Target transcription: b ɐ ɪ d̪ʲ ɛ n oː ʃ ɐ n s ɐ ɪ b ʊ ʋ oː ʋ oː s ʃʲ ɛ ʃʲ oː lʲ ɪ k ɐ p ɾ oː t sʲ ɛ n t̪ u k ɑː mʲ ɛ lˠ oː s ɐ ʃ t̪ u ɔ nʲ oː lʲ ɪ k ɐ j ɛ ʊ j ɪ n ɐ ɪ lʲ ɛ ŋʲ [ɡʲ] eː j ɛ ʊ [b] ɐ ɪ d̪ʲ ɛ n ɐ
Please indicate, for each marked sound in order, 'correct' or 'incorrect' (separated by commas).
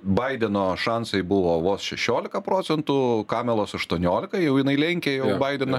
incorrect, correct